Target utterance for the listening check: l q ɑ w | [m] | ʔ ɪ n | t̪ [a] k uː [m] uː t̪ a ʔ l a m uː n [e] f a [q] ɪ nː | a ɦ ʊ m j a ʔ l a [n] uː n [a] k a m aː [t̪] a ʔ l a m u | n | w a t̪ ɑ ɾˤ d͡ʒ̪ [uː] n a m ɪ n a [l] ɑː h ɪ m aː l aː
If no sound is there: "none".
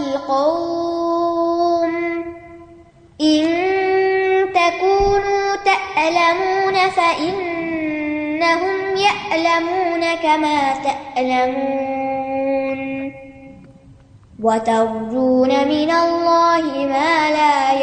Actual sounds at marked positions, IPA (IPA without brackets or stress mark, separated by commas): m, a, n, a, ʔ, m, a, t̪, uː, lː